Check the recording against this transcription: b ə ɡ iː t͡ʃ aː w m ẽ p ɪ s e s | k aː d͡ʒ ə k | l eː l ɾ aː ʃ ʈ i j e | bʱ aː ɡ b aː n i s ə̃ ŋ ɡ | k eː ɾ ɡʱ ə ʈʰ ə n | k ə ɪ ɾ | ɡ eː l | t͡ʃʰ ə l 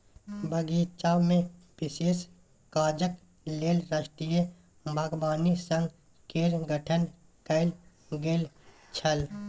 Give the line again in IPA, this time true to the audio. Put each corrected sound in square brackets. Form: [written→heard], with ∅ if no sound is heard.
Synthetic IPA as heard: b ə ɡ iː t͡ʃ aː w m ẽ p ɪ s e s | k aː d͡ʒ ə k | l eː l ɾ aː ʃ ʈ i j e | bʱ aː ɡ b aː n i s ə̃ ŋ ɡ | k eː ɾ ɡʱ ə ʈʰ ə n | k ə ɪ [ɾ→l] | ɡ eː l | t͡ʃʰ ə l